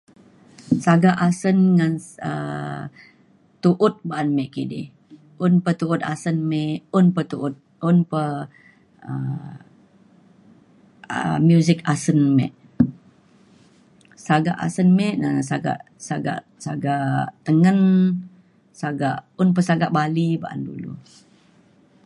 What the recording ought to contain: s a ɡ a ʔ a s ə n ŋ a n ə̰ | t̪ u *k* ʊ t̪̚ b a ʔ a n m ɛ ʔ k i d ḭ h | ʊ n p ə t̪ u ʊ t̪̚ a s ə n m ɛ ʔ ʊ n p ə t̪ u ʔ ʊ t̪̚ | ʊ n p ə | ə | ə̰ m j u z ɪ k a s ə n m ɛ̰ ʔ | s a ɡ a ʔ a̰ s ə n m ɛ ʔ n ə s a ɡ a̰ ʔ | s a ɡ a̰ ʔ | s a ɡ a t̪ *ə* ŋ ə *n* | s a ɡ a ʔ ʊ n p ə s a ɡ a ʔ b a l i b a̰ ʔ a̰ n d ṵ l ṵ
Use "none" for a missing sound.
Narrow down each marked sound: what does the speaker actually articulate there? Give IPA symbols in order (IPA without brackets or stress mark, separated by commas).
ʔ, ə, n